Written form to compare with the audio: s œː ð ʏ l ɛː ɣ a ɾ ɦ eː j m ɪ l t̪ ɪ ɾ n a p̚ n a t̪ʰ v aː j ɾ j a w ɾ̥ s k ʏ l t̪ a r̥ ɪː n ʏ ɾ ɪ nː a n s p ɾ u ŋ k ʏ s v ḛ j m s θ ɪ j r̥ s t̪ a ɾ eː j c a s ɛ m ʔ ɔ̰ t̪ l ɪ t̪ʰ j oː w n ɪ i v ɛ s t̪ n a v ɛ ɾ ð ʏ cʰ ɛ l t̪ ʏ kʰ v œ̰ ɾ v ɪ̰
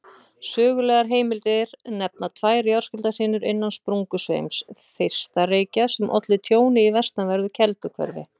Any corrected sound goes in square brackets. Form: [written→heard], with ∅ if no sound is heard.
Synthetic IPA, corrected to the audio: s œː [ð→ɣ] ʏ l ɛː ɣ a ɾ ɦ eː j m ɪ l t̪ ɪ ɾ n [a→ɛ] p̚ n a t̪ʰ v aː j ɾ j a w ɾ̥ s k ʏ l t̪ a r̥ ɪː n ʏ ɾ ɪ nː a n s p ɾ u ŋ k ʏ s v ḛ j m s θ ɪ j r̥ s t̪ a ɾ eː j c a s ɛ m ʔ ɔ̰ t̪ l ɪ t̪ʰ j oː w n ɪ i v ɛ s t̪ n a v ɛ ɾ ð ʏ cʰ ɛ l t̪ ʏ kʰ v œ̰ ɾ v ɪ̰